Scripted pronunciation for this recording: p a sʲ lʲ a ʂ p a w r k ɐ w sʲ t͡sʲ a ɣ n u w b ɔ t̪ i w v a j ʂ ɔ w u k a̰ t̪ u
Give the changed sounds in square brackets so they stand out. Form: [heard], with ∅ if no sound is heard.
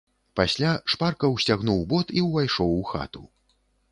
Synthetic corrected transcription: p a sʲ lʲ a ʂ p a [∅] r k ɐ w sʲ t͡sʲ a ɣ n u w b ɔ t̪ i w v a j ʂ ɔ w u [x] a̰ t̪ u